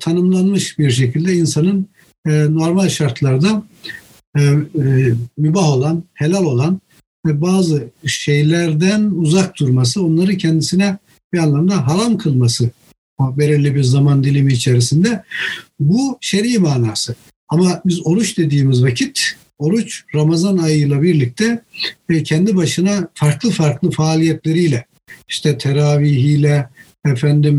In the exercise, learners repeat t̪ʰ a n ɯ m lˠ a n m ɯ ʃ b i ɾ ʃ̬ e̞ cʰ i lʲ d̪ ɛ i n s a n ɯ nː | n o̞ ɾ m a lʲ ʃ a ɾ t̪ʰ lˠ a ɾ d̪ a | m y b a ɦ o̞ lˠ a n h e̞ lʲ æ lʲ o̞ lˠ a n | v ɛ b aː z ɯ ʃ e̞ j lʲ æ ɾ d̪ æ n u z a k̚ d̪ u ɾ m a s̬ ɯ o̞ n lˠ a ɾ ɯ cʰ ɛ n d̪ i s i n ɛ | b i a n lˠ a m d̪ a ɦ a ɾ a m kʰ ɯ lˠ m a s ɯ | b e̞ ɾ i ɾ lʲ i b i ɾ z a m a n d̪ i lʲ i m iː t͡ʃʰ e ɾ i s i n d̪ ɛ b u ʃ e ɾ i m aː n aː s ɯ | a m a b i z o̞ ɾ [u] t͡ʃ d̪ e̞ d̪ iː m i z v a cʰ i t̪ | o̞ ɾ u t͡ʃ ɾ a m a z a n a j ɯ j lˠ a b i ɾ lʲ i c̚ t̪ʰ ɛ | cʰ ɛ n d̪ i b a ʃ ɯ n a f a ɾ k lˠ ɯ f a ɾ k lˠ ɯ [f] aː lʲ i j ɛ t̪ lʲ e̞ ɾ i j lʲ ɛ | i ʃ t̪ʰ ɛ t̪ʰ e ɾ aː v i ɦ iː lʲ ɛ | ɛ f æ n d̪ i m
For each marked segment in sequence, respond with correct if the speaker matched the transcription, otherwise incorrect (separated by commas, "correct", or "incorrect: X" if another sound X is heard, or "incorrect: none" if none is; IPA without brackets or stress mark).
correct, correct